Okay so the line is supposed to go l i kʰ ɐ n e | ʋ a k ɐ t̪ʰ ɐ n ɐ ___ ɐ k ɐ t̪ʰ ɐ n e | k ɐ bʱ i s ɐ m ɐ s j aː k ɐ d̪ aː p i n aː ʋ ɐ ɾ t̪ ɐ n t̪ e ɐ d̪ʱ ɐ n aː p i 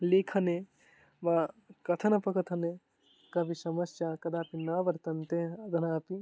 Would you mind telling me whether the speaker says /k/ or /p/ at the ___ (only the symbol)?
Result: p